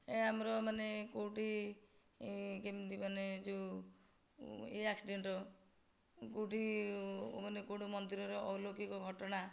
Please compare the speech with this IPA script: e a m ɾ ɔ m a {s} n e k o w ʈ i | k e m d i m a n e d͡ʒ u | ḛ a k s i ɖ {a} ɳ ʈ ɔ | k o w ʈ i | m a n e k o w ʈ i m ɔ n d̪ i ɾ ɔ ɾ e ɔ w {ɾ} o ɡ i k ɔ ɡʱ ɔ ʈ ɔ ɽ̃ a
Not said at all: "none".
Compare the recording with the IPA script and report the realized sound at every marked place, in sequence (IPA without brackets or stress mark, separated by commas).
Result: none, e, l